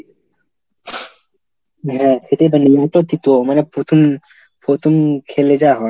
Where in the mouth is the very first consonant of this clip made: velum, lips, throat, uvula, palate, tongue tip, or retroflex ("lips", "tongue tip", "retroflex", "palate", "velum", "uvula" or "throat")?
throat